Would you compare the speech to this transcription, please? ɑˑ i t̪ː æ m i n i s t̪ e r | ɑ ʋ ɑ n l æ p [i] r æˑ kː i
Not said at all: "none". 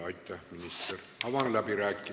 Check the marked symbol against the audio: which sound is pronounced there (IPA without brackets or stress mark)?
i